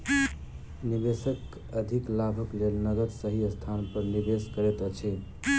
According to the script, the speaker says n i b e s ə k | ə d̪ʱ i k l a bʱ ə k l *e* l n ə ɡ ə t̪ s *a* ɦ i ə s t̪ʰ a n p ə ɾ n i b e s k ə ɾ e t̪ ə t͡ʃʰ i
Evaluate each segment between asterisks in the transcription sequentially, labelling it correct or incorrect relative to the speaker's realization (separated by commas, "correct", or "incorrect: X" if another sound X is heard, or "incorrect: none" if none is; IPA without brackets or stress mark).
correct, incorrect: ə